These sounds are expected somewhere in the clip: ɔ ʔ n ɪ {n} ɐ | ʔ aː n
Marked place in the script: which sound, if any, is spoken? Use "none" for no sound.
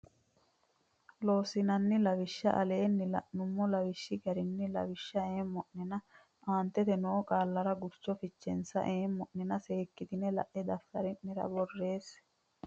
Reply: n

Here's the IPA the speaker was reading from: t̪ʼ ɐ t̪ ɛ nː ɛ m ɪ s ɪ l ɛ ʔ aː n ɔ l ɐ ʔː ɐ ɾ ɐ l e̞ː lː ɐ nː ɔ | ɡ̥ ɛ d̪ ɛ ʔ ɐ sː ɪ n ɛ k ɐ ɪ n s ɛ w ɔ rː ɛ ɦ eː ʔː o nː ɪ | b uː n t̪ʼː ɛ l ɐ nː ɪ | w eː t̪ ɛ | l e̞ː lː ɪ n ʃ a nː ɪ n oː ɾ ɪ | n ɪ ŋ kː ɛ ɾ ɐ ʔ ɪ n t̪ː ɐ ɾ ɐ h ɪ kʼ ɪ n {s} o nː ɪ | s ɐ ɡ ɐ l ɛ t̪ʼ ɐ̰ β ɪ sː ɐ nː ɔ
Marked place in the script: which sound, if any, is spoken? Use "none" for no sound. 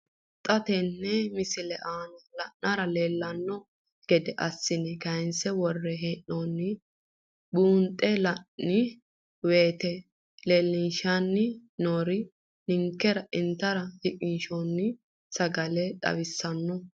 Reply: ʃ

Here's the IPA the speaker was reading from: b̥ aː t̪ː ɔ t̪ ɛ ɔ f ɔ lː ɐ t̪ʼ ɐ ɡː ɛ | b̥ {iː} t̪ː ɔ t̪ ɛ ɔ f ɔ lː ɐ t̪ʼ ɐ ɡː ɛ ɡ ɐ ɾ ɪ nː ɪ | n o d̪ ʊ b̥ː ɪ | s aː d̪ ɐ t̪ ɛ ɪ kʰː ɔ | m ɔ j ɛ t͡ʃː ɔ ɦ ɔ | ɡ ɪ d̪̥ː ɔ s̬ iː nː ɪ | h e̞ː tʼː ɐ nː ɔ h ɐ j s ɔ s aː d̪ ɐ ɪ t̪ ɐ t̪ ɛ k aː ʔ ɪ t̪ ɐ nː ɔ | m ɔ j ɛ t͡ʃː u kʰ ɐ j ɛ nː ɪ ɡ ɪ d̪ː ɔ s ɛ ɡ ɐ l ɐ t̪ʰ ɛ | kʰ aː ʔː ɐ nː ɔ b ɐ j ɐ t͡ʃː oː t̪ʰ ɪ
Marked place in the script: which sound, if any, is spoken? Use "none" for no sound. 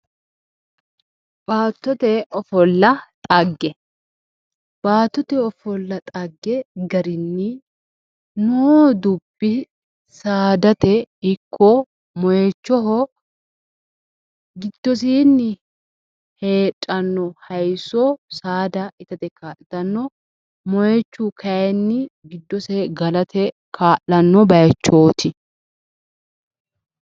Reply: aː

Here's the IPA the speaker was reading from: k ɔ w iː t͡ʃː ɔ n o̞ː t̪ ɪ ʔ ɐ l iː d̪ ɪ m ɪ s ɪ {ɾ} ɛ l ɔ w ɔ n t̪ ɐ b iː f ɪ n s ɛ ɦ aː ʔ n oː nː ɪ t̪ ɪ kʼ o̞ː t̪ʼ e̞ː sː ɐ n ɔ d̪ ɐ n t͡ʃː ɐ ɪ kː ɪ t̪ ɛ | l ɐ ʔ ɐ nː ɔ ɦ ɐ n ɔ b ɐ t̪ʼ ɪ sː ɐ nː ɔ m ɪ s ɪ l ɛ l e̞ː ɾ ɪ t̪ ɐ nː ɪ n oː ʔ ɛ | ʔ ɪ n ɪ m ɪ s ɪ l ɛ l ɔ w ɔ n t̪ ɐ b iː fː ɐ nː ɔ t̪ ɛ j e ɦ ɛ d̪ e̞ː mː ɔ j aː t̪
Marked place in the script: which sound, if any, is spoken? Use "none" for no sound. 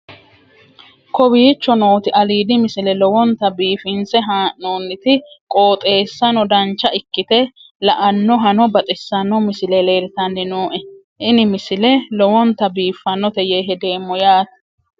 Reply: l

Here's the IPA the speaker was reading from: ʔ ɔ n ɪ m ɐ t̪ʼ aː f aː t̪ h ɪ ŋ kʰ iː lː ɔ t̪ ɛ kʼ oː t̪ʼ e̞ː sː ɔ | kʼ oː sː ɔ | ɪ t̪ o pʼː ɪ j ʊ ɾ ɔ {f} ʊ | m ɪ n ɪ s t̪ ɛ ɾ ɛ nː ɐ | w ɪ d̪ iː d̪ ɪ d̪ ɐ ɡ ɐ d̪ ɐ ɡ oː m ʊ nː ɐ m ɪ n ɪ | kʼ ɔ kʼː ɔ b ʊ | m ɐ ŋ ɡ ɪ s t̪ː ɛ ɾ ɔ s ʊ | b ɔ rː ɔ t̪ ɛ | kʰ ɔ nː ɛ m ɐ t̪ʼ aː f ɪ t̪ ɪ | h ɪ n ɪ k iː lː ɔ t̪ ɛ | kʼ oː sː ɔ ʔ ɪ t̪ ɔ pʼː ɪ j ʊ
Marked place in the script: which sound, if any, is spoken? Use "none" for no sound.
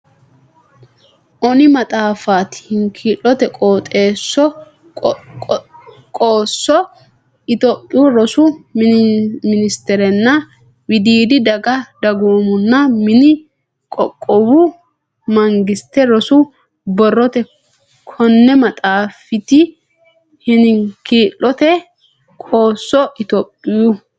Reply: s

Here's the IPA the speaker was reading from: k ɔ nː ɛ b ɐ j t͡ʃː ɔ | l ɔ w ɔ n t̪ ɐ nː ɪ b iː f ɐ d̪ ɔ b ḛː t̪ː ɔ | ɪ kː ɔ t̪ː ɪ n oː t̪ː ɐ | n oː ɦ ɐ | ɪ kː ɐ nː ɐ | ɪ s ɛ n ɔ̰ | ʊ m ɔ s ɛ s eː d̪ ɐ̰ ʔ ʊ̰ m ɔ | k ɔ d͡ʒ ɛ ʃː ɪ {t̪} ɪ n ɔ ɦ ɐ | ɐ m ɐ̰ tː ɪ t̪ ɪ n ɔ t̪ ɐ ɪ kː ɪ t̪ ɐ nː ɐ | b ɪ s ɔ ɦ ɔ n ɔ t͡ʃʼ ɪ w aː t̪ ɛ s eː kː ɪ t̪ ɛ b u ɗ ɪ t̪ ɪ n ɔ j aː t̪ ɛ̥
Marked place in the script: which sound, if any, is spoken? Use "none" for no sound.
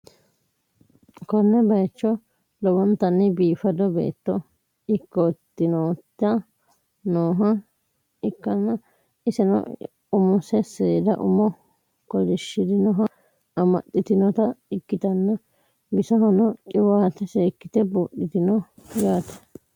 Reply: d̪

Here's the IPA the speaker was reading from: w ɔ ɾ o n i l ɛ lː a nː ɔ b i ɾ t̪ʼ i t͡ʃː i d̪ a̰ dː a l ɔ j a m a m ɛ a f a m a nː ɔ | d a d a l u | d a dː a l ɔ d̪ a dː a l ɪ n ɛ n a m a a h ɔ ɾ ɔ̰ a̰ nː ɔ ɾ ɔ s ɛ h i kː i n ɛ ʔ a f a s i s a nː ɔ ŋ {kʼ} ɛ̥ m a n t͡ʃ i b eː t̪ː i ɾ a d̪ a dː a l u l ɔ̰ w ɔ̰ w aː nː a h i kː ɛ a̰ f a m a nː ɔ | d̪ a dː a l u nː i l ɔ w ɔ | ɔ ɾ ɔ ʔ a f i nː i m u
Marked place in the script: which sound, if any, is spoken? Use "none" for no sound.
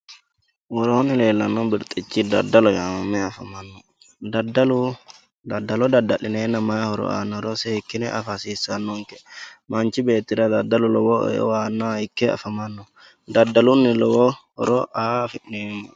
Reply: k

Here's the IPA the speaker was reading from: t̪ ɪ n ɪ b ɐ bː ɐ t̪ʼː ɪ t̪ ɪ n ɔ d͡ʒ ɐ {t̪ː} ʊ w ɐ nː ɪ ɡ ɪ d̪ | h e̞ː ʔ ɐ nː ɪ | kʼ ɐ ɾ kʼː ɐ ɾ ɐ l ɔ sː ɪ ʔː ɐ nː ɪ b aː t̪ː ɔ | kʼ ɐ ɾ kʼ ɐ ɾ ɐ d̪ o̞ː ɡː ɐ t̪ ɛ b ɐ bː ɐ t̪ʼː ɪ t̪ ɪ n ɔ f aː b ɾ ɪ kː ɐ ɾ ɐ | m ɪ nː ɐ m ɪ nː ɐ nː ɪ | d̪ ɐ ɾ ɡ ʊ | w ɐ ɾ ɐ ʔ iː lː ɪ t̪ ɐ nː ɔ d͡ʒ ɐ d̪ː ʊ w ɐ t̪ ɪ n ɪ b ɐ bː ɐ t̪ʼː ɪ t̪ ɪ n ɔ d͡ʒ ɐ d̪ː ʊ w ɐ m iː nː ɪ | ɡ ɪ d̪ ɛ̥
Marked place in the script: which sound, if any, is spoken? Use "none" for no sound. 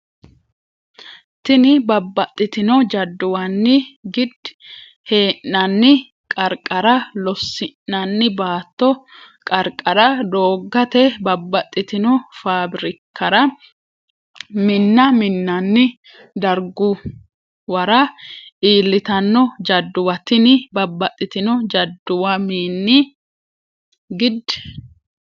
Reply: d̪ː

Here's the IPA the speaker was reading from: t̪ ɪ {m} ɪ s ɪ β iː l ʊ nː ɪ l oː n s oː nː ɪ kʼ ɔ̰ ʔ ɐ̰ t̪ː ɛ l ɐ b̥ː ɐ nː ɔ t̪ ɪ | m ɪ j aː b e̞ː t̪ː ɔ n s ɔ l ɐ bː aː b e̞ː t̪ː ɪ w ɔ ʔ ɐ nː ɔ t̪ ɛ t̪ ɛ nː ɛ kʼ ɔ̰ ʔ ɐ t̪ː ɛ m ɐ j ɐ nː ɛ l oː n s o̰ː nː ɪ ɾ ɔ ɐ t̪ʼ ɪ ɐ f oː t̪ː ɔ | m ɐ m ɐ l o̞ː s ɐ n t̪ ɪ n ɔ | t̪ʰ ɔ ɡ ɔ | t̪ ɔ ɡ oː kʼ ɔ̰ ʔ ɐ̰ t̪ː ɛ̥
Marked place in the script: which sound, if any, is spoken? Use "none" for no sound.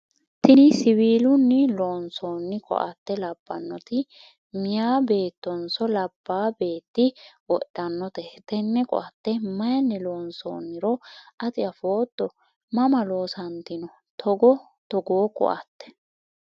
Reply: n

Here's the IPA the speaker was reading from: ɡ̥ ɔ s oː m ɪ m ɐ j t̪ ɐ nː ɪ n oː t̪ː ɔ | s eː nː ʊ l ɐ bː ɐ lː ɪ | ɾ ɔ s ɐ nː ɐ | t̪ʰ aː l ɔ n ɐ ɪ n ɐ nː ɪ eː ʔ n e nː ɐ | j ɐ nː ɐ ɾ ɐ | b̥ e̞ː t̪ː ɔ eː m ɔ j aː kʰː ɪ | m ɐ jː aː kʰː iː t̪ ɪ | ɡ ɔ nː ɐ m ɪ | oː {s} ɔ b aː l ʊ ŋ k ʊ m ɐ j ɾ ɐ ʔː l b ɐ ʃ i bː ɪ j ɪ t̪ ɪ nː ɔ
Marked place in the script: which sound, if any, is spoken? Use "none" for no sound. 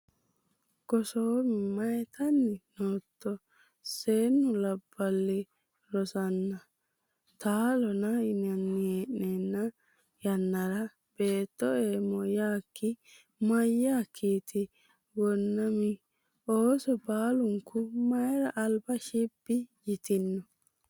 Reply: s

